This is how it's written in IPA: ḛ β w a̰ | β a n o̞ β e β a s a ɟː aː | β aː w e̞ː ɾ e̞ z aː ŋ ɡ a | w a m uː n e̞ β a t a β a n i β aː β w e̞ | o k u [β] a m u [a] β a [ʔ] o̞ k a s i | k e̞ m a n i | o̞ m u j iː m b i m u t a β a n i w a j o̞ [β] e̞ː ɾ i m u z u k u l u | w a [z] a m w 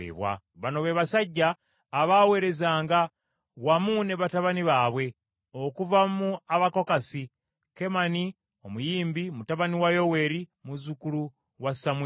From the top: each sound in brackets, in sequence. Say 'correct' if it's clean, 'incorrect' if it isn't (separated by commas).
incorrect, correct, incorrect, incorrect, incorrect